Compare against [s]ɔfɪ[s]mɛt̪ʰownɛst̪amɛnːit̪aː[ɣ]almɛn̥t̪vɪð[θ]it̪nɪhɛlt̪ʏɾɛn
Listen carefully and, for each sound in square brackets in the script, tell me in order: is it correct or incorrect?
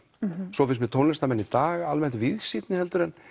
correct, correct, correct, incorrect: s

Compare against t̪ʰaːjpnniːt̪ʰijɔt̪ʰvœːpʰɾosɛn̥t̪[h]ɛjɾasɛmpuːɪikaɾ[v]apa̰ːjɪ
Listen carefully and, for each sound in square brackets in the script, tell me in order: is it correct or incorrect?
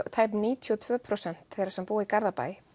incorrect: θ, incorrect: ð

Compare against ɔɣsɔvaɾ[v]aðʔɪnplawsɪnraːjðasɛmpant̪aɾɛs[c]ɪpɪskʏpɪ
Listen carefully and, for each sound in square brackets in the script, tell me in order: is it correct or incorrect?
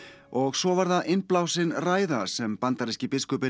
incorrect: ð, correct

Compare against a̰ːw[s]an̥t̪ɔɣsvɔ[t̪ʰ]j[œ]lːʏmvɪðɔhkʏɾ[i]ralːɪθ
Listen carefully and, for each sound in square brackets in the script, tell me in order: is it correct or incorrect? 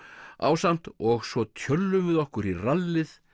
correct, correct, correct, correct

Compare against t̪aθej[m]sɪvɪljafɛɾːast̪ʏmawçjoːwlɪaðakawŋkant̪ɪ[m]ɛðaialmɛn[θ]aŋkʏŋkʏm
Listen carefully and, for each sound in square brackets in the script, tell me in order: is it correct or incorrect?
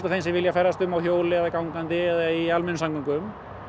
incorrect: n, incorrect: none, incorrect: s

